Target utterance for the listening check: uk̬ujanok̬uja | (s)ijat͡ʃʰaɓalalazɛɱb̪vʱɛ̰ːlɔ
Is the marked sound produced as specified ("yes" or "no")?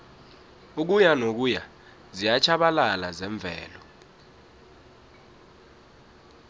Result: no